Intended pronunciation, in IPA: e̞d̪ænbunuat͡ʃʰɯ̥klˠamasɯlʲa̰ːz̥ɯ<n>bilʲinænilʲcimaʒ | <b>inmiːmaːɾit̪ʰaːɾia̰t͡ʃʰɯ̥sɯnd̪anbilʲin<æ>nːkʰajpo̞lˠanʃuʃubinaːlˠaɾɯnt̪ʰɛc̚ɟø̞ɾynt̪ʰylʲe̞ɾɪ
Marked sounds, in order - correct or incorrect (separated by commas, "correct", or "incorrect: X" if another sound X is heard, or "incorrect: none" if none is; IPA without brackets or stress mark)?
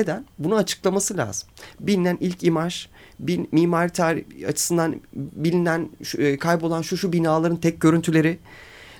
incorrect: m, correct, correct